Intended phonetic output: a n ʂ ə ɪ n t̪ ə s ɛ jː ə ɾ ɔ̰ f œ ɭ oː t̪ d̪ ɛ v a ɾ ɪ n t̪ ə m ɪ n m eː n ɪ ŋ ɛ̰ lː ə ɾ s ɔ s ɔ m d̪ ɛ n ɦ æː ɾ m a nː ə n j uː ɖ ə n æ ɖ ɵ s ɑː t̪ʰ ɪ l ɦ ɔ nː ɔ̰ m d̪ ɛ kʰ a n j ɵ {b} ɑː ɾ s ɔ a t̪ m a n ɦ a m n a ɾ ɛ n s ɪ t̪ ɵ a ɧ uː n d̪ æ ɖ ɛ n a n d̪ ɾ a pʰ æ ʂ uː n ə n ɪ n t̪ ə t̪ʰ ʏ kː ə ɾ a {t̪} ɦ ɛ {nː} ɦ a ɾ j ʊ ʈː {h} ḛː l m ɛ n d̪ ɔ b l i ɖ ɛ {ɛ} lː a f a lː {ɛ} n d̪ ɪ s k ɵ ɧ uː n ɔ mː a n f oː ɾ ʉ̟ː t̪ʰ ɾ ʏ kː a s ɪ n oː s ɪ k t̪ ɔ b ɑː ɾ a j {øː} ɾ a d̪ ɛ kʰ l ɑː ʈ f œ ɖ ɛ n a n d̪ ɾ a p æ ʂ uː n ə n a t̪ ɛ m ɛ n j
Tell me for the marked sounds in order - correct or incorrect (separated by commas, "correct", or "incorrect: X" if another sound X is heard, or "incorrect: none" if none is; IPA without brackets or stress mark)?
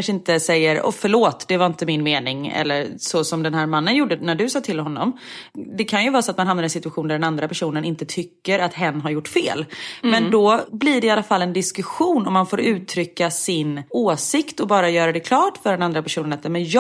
incorrect: v, correct, correct, incorrect: f, incorrect: a, correct, incorrect: œː